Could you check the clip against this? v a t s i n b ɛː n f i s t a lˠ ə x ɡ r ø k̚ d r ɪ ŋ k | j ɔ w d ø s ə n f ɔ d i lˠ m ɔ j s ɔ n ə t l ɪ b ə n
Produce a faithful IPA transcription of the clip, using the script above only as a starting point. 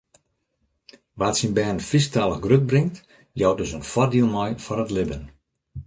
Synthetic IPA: ʋ a t s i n b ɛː n f i s t a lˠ ə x ɡ r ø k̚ b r ɪ ŋ t | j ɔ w d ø s ə n f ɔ d i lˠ m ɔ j f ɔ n ə t l ɪ b ə n